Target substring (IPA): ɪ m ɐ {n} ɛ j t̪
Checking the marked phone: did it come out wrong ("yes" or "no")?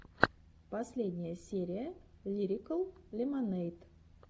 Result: no